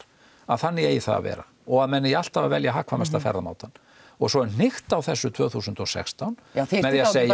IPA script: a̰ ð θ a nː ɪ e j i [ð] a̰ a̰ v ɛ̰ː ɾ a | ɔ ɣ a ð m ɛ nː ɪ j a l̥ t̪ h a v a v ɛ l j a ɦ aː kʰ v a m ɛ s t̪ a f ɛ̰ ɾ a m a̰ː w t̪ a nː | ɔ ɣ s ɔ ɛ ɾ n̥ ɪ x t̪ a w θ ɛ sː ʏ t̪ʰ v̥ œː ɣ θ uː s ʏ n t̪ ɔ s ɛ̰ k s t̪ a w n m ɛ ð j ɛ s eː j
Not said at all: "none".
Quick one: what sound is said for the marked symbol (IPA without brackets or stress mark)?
θ